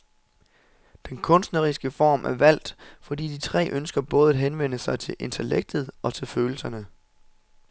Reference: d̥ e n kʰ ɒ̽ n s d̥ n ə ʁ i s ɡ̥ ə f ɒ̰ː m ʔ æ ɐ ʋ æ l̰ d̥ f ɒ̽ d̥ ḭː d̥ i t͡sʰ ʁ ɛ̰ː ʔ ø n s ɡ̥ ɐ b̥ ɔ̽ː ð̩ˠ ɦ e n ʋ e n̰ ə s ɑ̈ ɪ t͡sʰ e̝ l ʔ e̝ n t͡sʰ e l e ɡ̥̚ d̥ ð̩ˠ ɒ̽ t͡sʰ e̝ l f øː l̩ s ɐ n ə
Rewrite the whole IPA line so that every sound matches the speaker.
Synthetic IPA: d̥ e n kʰ ɔ̽ n s d̥ n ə ʁ i s ɡ̥ ə f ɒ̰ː m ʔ æ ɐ ʋ æ l̰ d̥ f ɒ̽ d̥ ḭː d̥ i t͡sʰ ʁ ɛ̰ː ʔ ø n s ɡ̥ ɐ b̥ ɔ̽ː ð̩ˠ ɦ e n ʋ e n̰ ə s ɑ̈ ɪ t͡sʰ e̝ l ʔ e̝ n t͡sʰ e l e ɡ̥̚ d̥ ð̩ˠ ɒ̽ t͡sʰ e̝ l f øː l̩ s ɐ n ə